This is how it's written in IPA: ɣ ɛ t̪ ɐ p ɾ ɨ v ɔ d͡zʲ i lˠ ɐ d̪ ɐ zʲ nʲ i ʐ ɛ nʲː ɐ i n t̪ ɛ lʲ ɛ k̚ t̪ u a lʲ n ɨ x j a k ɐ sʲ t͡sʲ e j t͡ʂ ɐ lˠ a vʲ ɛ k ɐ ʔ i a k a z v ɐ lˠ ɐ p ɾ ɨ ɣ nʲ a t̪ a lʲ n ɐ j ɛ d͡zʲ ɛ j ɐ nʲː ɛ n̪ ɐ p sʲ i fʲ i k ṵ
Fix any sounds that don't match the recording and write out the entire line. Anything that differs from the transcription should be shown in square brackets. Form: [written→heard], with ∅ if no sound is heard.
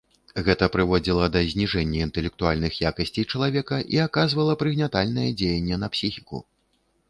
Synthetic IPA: ɣ ɛ t̪ ɐ p ɾ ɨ v ɔ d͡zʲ i lˠ ɐ d̪ ɐ zʲ nʲ i ʐ ɛ nʲː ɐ i n t̪ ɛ lʲ ɛ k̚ t̪ u a lʲ n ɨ x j a k ɐ sʲ t͡sʲ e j t͡ʂ ɐ lˠ a vʲ ɛ k ɐ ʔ i a k a z v ɐ lˠ ɐ p ɾ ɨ ɣ nʲ a t̪ a lʲ n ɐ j ɛ d͡zʲ [ɛ→e] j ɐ nʲː ɛ n̪ ɐ p sʲ i [fʲ→xʲ] i k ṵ

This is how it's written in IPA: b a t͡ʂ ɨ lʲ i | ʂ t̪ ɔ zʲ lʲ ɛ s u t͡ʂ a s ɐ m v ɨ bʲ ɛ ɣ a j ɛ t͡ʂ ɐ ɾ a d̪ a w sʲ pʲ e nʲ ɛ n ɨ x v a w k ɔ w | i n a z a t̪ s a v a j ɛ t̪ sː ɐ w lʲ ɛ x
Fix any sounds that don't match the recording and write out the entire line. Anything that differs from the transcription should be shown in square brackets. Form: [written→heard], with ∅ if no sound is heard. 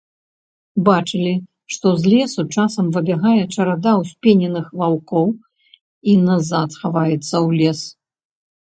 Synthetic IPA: b a t͡ʂ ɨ lʲ i | ʂ t̪ ɔ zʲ lʲ ɛ s u t͡ʂ a s ɐ m v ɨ bʲ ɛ ɣ a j ɛ t͡ʂ ɐ ɾ a d̪ a w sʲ pʲ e nʲ ɛ n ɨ x v a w k ɔ w | i n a z a t̪ [s→x] a v a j ɛ t̪ sː ɐ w lʲ ɛ [x→s]

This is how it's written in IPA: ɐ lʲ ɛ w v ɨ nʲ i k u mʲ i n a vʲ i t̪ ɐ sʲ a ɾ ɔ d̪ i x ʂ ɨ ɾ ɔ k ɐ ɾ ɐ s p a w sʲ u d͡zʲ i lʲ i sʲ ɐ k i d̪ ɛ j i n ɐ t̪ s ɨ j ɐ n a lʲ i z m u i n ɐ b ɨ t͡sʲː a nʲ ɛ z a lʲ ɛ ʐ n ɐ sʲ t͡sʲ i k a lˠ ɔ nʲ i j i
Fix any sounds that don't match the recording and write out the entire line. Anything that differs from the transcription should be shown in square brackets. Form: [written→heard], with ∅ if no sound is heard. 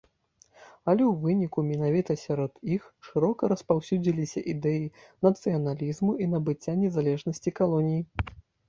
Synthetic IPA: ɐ lʲ ɛ w v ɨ nʲ i k u mʲ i n a vʲ i t̪ ɐ sʲ a ɾ ɔ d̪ i x ʂ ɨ ɾ ɔ k ɐ ɾ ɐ s p a w sʲ u d͡zʲ i lʲ i sʲ ɐ [k→ʔ] i d̪ ɛ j i n ɐ t̪ s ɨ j ɐ n a lʲ i z m u i n ɐ b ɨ t͡sʲː a nʲ ɛ z a lʲ ɛ ʐ n ɐ sʲ t͡sʲ i k a lˠ ɔ nʲ i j i

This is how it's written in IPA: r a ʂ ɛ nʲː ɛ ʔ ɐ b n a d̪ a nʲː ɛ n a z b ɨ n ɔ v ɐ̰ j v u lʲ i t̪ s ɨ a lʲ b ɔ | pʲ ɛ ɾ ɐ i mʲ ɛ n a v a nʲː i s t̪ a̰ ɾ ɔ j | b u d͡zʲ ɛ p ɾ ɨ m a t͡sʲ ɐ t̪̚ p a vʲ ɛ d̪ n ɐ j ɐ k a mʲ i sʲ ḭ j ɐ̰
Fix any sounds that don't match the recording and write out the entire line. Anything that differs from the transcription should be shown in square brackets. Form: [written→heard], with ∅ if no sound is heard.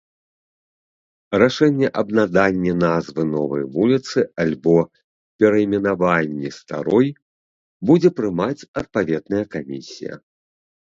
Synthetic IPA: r a ʂ ɛ nʲː ɛ ʔ ɐ b n a d̪ a nʲː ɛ n a z [b→v] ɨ n ɔ v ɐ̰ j v u lʲ i t̪ s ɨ a lʲ b ɔ | pʲ ɛ ɾ ɐ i mʲ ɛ n a v a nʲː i s t̪ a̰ ɾ ɔ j | b u d͡zʲ ɛ p ɾ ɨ m a t͡sʲ ɐ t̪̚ p a vʲ ɛ d̪ n ɐ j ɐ k a mʲ i sʲ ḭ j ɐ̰

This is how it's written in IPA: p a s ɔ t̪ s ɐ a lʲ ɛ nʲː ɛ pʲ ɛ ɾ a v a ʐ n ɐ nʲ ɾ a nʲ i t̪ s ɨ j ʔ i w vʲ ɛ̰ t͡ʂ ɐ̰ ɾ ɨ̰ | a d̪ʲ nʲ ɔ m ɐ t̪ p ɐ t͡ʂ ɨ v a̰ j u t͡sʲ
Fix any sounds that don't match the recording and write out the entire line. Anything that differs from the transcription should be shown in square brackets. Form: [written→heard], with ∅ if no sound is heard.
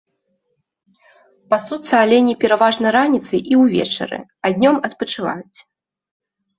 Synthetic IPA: p a s [ɔ→u] t̪ s ɐ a lʲ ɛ [nʲː→nʲ] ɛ pʲ ɛ ɾ a v a ʐ n ɐ [nʲ→∅] ɾ a nʲ i t̪ s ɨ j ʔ i w vʲ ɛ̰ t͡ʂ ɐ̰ ɾ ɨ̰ | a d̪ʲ nʲ ɔ m ɐ t̪ p ɐ t͡ʂ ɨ v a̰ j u t͡sʲ

